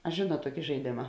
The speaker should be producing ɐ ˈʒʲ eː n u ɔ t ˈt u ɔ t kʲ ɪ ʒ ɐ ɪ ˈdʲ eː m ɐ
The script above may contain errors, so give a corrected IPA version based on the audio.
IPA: ɐ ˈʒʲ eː n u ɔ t ˈt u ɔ kʲ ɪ ʒ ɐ ɪ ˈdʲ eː m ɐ